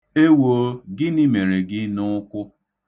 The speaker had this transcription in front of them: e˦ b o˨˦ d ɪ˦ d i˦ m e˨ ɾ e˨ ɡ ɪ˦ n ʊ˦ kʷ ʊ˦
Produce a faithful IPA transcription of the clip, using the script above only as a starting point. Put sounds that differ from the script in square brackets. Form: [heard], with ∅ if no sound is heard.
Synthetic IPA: e˦ [w] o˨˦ [ɡ] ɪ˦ [n] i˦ m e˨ ɾ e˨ ɡ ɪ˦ n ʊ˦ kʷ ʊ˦